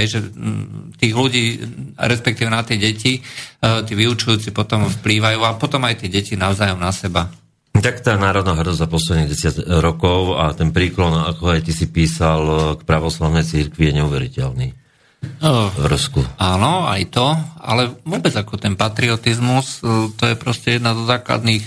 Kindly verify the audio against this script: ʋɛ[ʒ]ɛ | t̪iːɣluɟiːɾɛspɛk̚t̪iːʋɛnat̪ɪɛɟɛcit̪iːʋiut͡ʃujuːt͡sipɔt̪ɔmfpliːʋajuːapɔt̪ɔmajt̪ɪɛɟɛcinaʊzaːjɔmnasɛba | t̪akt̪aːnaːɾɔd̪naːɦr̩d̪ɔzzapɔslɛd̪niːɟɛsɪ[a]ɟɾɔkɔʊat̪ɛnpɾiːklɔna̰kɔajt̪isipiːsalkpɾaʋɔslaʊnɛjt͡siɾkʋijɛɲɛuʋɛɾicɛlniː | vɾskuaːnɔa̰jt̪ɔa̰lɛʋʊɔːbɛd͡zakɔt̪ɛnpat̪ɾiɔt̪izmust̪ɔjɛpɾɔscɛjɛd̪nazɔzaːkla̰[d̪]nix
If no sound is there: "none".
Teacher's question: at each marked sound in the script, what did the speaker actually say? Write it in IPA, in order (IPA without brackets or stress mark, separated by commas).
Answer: ʒ, a, d̪